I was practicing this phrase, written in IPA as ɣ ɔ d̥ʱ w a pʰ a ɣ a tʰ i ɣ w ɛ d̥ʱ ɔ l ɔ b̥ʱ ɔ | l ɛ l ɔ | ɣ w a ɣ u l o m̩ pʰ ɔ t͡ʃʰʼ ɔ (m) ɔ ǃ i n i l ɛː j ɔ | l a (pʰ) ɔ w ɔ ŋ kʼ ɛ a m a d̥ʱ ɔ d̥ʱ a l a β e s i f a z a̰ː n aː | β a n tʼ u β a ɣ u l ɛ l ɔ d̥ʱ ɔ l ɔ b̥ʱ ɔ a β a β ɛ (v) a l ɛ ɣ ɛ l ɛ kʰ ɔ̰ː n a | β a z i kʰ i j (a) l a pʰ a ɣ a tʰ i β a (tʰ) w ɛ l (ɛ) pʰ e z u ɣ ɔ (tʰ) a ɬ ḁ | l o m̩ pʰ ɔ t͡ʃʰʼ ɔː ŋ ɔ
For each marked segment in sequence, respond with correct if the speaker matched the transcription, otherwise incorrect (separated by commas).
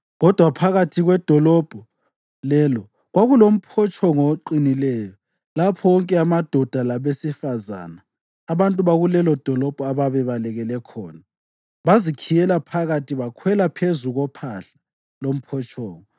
incorrect, correct, incorrect, incorrect, incorrect, incorrect, incorrect